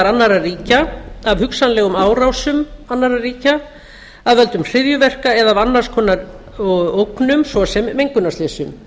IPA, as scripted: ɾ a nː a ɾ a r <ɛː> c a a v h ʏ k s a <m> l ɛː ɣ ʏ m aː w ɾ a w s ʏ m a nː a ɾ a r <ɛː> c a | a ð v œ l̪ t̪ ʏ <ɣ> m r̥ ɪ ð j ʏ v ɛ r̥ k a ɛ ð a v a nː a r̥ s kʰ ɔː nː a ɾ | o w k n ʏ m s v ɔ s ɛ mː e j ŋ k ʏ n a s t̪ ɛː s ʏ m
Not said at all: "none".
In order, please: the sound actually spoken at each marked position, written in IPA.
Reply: iː, n, iː, none

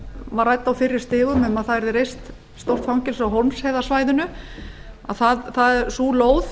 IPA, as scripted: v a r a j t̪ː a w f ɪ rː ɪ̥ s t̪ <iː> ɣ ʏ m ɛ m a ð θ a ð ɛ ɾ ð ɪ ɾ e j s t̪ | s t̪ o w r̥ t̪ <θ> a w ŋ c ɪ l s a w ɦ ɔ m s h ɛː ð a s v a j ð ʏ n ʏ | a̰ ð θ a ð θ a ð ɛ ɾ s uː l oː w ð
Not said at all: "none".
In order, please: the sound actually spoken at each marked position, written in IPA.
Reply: ɪː, f

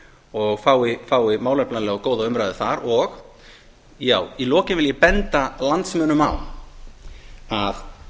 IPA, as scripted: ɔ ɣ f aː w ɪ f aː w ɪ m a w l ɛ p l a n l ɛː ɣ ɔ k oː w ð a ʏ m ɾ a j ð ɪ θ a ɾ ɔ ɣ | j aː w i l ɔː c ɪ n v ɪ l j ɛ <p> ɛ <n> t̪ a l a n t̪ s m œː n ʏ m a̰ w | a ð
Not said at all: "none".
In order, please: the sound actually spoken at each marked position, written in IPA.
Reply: p, n

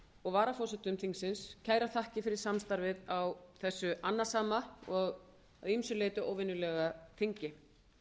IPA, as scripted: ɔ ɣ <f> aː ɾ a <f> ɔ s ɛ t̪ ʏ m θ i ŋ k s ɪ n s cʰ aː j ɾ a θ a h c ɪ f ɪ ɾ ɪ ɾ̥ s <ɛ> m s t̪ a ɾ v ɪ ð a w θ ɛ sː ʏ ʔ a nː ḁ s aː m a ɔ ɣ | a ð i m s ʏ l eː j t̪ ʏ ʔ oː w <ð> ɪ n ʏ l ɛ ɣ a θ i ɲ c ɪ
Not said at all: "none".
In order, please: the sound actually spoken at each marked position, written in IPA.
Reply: v, f, a, v

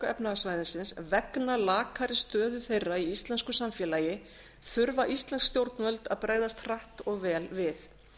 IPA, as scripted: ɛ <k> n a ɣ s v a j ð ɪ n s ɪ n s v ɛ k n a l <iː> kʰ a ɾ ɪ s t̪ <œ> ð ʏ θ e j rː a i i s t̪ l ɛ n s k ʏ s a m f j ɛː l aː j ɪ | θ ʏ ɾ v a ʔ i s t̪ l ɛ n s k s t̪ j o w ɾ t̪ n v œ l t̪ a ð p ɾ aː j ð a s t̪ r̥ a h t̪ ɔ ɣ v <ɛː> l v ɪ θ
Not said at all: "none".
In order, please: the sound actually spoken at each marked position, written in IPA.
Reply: p, aː, œː, ɛː

